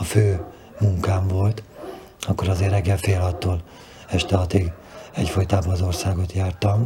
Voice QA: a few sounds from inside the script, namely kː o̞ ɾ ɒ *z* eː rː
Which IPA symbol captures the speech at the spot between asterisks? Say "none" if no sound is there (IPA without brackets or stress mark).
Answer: z